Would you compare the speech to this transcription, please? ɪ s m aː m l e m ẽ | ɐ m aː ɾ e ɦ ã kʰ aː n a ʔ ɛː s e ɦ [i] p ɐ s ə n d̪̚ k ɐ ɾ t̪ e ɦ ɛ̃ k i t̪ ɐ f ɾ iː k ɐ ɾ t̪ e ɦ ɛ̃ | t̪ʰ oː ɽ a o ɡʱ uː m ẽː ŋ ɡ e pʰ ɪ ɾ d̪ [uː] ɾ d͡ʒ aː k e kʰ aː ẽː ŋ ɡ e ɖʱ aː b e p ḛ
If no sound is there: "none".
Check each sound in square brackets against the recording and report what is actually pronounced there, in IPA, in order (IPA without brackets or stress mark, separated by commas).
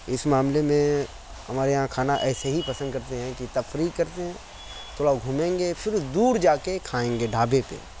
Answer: i, uː